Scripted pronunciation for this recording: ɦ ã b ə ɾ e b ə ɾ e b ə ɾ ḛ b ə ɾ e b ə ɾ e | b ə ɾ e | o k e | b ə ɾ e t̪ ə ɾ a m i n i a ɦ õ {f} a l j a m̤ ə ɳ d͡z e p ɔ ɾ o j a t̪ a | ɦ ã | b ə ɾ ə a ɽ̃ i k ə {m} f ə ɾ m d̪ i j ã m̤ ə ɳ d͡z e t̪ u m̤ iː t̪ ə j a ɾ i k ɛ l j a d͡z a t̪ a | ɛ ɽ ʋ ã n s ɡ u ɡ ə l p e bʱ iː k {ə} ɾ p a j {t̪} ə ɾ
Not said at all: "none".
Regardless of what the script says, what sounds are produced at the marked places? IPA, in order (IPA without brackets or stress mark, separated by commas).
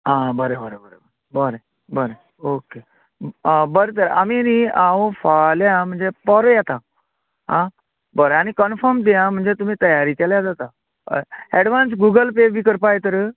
f, n, ə, t̪